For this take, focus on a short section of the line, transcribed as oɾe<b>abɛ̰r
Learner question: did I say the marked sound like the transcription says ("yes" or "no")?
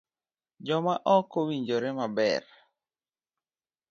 no